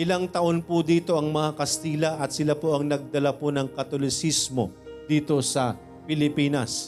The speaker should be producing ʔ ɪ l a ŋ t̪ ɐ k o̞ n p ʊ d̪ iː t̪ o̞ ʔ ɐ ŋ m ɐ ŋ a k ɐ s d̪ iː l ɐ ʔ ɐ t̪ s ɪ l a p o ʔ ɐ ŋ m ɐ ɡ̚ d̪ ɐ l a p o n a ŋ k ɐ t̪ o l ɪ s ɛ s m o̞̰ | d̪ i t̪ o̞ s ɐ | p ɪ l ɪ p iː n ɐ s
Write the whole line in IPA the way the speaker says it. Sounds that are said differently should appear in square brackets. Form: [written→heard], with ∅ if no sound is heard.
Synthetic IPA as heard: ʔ ɪ l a ŋ t̪ ɐ [k→ʔ] o̞ n p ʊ d̪ iː t̪ o̞ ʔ ɐ ŋ m ɐ ŋ a k ɐ s [d̪→t̪] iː l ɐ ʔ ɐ t̪ s ɪ l a p o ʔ ɐ ŋ [m→n] ɐ ɡ̚ d̪ ɐ l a p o n [a→ɐ] ŋ k ɐ t̪ o l ɪ s [ɛ→i] s m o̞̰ | d̪ [i→iː] t̪ o̞ s ɐ | p ɪ l ɪ p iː n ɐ s